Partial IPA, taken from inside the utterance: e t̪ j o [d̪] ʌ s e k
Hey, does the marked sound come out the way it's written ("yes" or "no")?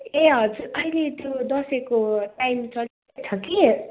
yes